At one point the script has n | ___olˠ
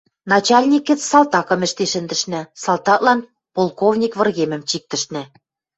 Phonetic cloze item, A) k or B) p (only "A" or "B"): B